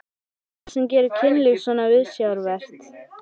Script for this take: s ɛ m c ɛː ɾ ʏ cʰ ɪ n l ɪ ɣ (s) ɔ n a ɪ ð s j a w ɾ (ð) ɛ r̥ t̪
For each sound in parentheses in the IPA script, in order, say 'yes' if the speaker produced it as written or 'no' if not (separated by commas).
yes, no